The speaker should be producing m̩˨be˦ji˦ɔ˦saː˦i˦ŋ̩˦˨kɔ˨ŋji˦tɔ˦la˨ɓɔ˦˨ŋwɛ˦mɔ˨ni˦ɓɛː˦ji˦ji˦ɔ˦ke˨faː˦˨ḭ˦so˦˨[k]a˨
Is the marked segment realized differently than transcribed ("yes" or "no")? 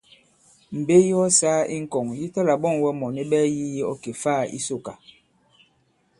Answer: no